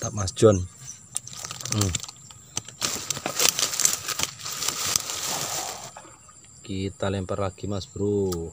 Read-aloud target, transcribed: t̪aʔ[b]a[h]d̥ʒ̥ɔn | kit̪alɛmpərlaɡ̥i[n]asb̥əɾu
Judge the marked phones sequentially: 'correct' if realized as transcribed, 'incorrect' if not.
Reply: incorrect: m, incorrect: s, incorrect: m

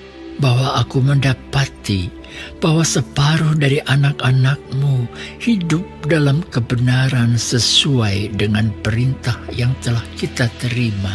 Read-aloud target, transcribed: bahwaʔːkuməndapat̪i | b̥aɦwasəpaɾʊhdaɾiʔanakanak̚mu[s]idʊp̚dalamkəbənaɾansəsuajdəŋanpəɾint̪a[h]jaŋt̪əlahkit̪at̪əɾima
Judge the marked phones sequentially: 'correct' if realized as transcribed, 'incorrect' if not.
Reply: incorrect: h, correct

